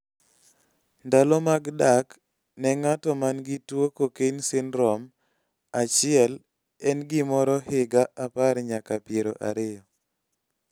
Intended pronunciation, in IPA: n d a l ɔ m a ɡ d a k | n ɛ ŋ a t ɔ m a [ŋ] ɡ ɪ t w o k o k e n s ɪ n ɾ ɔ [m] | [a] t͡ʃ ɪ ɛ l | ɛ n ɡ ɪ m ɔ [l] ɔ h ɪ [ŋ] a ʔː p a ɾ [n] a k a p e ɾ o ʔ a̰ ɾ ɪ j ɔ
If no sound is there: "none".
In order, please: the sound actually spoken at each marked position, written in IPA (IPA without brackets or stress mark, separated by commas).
n, m, a, ɾ, ɡ, ɲ